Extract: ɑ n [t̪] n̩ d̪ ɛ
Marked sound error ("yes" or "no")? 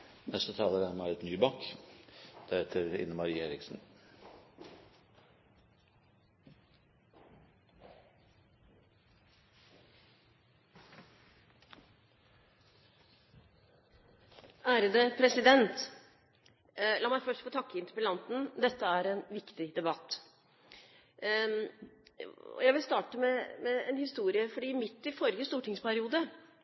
no